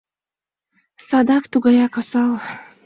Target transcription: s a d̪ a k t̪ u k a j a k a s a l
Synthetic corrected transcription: s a d̪ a k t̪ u ɡ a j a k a s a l